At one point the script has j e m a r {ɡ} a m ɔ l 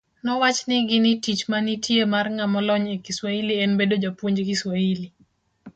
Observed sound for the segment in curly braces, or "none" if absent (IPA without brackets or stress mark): ŋ